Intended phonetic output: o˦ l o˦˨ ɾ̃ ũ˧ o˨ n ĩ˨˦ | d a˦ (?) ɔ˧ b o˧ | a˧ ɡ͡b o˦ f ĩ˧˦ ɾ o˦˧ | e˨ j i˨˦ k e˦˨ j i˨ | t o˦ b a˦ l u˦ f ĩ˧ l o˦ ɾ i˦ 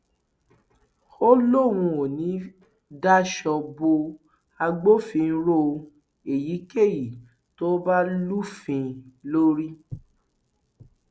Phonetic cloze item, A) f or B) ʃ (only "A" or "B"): B